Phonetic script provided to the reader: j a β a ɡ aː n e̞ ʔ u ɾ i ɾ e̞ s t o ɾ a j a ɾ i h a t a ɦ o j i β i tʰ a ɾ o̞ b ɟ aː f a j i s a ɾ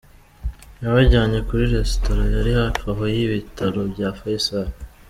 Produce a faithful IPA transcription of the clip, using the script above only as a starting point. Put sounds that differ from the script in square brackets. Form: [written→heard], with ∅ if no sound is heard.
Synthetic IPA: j a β a [ɡ→ɟ] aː [n→ɲ] e̞ [ʔ→k] u ɾ i ɾ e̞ s t o ɾ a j a ɾ i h a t a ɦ o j i β i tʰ a ɾ o̞ b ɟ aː f a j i s a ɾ